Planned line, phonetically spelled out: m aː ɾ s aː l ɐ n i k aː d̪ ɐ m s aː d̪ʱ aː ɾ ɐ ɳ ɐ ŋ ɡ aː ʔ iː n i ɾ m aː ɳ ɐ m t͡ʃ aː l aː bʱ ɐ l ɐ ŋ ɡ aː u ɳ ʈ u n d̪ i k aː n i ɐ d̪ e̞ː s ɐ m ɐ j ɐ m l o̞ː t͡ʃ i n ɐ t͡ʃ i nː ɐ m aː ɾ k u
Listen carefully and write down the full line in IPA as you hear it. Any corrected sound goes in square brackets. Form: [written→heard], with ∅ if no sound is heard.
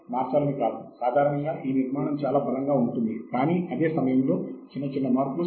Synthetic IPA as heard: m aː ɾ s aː l ɐ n i k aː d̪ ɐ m s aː d̪ʱ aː ɾ ɐ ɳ ɐ ŋ ɡ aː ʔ iː n i ɾ m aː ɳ ɐ m t͡ʃ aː l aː bʱ ɐ l ɐ ŋ ɡ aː u ɳ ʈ u n d̪ i k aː n i ɐ d̪ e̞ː s ɐ m ɐ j ɐ m l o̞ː t͡ʃ i [n→nː] ɐ t͡ʃ i nː ɐ m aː ɾ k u